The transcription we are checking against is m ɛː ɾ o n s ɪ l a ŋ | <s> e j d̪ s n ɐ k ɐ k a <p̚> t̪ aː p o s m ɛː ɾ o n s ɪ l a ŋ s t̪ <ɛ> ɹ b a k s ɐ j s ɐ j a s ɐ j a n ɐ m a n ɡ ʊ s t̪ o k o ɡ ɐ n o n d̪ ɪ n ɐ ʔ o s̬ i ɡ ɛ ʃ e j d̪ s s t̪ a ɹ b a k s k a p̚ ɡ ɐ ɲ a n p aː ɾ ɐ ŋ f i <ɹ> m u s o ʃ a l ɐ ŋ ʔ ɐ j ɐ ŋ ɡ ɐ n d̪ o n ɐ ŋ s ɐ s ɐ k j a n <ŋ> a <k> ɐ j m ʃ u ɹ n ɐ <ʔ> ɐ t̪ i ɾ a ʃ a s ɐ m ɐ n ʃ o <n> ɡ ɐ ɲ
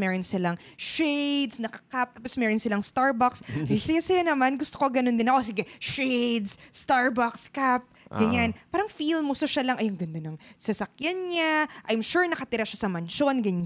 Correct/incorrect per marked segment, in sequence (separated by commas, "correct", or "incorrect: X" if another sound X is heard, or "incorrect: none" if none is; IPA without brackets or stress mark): incorrect: ʃ, correct, incorrect: a, incorrect: l, incorrect: ɲ, incorrect: ʔ, incorrect: k, correct